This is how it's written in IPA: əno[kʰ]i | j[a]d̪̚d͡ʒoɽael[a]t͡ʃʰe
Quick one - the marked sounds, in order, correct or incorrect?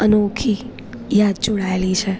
correct, correct, incorrect: i

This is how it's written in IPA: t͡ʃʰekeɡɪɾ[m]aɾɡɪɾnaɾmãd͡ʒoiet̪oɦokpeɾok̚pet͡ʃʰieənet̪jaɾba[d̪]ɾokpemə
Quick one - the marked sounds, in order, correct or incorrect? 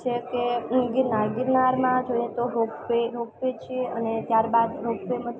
incorrect: n, correct

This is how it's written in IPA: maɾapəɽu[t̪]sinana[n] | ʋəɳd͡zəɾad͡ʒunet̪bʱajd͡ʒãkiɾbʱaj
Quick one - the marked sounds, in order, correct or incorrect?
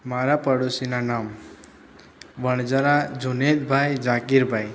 incorrect: none, incorrect: m

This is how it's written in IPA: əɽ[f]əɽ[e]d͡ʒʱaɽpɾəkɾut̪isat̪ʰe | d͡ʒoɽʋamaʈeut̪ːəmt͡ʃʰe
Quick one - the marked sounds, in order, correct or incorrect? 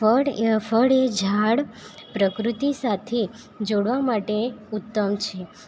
correct, correct

